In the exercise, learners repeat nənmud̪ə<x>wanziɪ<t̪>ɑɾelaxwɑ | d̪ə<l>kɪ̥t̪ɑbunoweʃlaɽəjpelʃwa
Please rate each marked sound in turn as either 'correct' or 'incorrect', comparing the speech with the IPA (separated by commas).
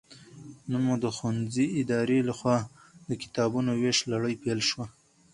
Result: correct, incorrect, incorrect